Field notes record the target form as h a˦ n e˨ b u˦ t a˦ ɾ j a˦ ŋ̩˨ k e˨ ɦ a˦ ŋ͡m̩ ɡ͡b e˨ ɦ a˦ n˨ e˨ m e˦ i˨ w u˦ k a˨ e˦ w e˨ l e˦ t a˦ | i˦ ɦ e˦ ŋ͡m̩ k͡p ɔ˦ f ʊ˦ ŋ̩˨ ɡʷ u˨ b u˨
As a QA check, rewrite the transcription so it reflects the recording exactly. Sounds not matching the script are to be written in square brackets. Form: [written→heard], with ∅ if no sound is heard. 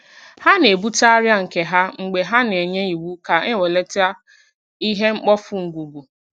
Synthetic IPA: h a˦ n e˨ b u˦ t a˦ ɾ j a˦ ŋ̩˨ k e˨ ɦ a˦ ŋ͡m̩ ɡ͡b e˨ ɦ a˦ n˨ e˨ [m→ɲ] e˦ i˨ w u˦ k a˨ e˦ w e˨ l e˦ t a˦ | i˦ ɦ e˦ ŋ͡m̩ k͡p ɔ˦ f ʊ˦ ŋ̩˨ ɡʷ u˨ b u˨